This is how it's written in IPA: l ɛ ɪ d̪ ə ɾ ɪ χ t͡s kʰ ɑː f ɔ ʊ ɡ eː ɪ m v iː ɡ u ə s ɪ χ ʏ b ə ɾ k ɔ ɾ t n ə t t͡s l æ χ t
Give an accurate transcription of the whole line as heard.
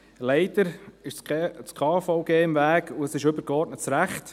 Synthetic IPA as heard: l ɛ ɪ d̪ ə ɾ ɪ ʃ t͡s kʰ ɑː f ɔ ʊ ɡ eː ɪ m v æː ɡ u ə s ɪ ʃ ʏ b ə ɾ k ɔ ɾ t n ə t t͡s ɾ æ χ t